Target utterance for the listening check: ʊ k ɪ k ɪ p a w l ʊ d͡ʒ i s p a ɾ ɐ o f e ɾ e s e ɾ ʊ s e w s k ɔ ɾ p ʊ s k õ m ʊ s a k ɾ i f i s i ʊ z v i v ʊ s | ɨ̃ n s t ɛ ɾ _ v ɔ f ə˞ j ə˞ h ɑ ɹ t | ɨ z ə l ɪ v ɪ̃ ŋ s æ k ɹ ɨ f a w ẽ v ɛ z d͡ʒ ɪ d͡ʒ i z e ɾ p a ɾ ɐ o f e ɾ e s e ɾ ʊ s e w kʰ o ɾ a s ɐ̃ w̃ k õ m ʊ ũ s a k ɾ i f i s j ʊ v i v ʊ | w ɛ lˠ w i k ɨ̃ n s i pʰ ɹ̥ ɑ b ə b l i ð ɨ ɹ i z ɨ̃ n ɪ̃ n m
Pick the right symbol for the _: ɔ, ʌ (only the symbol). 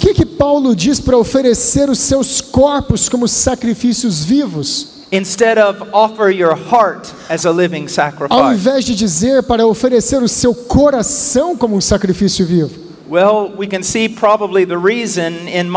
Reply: ʌ